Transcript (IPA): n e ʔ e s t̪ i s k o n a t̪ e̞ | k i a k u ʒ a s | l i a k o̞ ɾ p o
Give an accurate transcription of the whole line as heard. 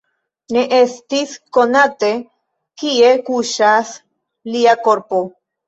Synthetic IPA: n e ʔ e s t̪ i s k o n a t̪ e̞ | k i e k u ʃ a s | l i a k o̞ ɾ p o